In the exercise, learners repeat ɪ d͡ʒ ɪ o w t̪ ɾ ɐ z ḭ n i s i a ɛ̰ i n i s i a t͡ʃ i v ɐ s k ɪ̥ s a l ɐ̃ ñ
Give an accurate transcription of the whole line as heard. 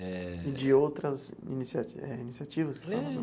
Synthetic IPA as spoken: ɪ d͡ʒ ɪ o w t̪ ɾ ɐ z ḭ n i s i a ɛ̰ i n i s i a t͡ʃ i v ɐ s k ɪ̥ f a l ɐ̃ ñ